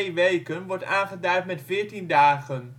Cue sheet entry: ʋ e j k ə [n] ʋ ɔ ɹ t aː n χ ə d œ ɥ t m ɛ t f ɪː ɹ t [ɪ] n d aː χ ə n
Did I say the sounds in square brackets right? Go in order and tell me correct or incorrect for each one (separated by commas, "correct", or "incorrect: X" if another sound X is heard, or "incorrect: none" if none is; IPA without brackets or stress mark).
correct, incorrect: i